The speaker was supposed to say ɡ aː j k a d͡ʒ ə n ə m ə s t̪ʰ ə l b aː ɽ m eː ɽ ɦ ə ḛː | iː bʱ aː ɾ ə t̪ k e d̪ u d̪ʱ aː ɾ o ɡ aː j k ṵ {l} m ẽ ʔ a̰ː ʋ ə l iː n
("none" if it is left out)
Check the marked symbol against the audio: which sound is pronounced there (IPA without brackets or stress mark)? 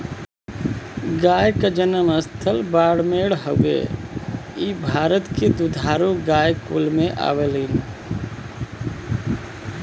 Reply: l